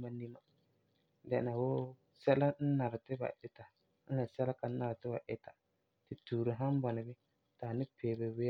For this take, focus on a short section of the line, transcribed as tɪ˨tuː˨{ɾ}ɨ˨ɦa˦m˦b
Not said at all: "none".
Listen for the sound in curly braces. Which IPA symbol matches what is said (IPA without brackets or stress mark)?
ɾ